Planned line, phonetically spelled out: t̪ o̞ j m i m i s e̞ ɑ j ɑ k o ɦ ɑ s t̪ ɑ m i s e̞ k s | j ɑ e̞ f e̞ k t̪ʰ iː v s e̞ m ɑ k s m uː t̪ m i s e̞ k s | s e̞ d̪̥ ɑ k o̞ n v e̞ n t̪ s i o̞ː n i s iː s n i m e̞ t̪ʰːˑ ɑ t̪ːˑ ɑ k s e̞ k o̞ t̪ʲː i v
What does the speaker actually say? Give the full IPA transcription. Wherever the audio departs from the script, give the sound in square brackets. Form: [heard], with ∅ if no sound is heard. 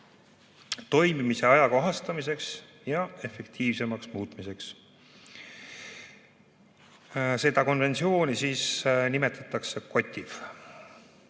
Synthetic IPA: t̪ o̞ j m i m i s e̞ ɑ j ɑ k o ɦ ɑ s t̪ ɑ m i s e̞ k s | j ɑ e̞ f e̞ k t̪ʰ iː v s e̞ m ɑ k s m uː t̪ m i s e̞ k s | s e̞ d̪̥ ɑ k o̞ n v e̞ n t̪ s i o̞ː n i s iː s n i m e̞ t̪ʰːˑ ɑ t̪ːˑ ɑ k s e̞ k o̞ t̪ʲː i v